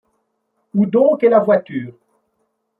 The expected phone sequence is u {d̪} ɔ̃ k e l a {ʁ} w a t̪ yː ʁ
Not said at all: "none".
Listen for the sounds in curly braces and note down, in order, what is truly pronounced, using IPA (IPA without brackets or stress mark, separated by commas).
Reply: d̪, v